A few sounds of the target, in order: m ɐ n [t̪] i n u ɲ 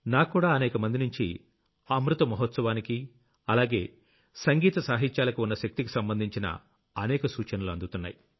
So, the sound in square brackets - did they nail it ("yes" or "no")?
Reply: no